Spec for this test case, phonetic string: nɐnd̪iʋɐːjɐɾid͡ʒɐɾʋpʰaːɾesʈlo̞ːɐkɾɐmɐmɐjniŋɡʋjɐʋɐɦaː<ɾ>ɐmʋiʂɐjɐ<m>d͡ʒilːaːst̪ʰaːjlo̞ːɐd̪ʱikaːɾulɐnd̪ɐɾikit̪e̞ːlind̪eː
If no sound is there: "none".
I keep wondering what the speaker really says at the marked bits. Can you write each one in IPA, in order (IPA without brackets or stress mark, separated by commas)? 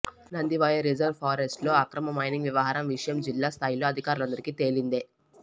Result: ɾ, m